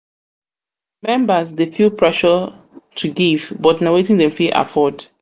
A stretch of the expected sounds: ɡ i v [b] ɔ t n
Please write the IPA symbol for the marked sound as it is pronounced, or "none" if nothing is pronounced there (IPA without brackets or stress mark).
b